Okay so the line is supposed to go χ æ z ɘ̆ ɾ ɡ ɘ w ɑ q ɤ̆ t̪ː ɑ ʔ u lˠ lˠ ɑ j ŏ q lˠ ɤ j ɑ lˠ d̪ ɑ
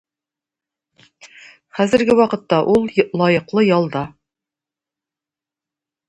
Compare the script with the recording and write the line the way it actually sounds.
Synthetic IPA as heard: χ æ z ɘ̆ ɾ ɡ ɘ w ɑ q ɤ̆ t̪ː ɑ ʔ u lˠ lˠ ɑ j ɤ̆ q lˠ ɤ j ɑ lˠ d̪ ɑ